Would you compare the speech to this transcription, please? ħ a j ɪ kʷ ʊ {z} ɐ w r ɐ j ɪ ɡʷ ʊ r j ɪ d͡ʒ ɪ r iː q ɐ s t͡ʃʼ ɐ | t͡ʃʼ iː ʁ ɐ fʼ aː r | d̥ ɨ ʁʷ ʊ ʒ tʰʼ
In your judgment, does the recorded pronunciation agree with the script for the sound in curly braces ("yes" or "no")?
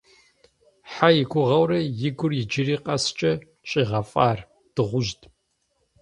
no